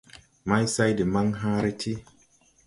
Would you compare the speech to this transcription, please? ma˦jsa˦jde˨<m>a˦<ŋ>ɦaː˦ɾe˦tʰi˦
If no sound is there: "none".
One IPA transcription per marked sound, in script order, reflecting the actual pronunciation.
m, ŋ

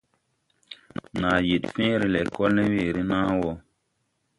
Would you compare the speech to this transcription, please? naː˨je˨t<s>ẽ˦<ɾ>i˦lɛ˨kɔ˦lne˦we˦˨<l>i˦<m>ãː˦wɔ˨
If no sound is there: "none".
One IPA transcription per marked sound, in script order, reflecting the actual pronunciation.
f, ɾ, ɾ, n

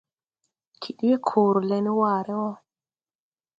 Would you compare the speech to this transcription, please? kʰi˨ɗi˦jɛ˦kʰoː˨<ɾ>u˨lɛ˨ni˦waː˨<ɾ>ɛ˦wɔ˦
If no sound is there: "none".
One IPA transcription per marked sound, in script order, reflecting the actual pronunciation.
ɾ, ɾ

